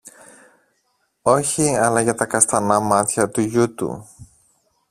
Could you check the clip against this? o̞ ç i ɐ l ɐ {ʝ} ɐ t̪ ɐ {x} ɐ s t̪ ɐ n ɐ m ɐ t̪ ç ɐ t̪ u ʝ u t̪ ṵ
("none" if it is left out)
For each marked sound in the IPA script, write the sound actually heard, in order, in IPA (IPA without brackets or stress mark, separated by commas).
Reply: ʝ, k